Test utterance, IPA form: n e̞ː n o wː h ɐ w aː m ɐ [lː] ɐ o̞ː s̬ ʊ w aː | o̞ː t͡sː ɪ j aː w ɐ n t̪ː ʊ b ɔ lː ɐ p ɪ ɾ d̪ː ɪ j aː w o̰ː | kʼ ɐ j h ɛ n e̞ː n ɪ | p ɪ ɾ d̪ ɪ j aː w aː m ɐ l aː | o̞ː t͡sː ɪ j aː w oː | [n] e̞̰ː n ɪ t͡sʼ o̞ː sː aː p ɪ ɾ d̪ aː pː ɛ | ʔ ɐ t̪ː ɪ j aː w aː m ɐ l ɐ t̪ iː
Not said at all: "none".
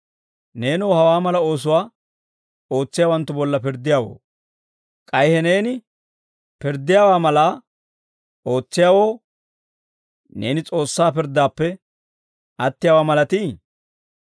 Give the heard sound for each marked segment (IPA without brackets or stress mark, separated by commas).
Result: l, n